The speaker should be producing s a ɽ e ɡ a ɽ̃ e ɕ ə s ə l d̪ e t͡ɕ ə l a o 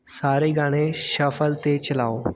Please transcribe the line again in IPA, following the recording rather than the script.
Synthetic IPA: s a ɾ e ɡ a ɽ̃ e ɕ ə f ə l t̪ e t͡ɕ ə l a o